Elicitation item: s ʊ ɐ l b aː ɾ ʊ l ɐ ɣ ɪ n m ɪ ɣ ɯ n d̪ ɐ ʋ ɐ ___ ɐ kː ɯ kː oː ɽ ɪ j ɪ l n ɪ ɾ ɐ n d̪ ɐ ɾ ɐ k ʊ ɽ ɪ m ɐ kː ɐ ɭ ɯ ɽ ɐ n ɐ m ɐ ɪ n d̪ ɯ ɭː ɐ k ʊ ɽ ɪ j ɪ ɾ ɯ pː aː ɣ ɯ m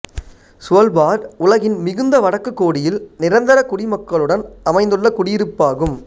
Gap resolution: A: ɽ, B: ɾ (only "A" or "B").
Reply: A